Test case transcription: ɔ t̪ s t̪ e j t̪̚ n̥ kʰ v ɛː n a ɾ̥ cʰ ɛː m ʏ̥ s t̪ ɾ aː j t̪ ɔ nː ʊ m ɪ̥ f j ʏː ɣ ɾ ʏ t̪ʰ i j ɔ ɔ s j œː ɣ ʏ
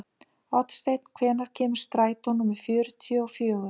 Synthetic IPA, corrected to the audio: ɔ t̪ s t̪ e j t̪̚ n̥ kʰ v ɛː n a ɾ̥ cʰ ɛː m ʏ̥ s t̪ ɾ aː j t̪ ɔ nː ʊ m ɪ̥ f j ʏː ɾ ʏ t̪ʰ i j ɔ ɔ f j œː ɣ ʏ